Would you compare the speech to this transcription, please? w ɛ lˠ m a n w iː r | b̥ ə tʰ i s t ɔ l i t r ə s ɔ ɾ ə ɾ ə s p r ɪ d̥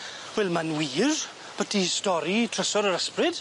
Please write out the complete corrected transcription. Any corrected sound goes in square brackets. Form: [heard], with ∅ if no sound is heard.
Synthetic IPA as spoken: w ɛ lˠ m a n w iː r | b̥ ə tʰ i s t ɔ [ɾ] i [tʰ] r ə s ɔ ɾ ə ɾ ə s p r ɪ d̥

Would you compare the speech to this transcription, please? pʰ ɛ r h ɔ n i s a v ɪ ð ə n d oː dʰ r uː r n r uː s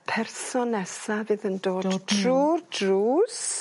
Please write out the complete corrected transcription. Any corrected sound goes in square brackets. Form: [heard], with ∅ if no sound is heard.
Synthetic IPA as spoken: pʰ ɛ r [s] ɔ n [ɛ] s a v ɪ ð ə n d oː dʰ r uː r [d] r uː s

